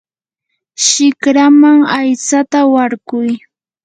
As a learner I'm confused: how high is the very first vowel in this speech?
high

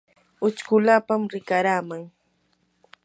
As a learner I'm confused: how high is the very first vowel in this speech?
high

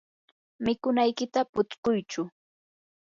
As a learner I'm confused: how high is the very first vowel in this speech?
high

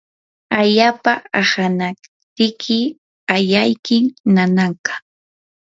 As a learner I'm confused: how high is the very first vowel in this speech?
low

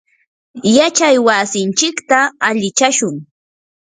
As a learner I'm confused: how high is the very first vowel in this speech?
low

